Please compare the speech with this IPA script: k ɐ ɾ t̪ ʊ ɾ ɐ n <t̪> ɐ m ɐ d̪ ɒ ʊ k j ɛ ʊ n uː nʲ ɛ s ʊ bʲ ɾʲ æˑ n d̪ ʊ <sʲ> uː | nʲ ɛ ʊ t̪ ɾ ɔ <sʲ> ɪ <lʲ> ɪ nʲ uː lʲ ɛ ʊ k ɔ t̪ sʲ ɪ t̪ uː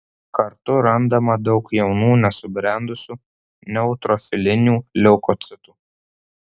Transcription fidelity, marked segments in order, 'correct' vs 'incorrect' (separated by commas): incorrect, correct, incorrect, correct